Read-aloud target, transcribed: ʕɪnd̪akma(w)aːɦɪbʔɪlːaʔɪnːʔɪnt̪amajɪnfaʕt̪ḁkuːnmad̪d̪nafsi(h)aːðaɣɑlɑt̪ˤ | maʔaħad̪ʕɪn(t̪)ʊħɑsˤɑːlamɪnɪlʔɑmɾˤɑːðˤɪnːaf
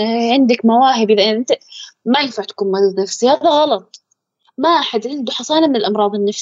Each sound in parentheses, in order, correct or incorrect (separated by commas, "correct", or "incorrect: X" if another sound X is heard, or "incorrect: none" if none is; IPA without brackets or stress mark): correct, correct, incorrect: d̪